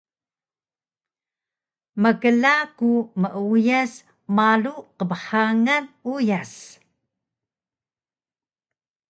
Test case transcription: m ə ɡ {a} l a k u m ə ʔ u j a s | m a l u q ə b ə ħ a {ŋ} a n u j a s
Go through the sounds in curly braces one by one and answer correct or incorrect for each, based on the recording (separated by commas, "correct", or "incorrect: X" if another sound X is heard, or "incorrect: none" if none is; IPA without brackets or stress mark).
incorrect: ə, correct